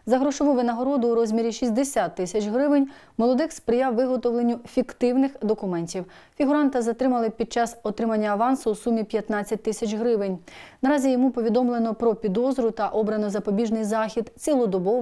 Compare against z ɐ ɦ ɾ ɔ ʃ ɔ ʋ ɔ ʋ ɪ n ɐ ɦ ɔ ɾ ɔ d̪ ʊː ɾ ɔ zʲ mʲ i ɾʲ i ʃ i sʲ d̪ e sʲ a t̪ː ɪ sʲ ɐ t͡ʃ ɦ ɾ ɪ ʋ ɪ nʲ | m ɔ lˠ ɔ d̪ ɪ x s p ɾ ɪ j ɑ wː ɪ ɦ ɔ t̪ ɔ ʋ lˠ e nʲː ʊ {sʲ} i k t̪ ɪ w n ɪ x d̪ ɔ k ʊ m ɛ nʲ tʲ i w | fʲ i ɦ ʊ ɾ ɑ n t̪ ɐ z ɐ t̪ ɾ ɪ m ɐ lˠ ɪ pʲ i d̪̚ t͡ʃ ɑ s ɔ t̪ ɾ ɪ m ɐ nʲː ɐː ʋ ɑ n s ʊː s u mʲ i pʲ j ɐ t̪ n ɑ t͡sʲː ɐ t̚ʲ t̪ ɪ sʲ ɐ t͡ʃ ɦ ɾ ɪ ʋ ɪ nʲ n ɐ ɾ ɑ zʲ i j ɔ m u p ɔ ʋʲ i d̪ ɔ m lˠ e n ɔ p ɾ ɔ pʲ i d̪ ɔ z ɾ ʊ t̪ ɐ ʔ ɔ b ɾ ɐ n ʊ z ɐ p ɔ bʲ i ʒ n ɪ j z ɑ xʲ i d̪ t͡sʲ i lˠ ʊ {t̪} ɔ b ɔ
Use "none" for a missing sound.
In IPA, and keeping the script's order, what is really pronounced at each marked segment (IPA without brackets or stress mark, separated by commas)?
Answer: fʲ, d̪